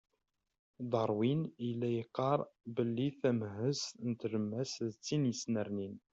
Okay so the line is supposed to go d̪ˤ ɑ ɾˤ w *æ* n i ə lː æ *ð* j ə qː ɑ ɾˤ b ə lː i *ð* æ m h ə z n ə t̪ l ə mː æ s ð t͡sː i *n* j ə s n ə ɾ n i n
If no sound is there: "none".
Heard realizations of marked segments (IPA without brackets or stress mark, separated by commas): i, none, θ, n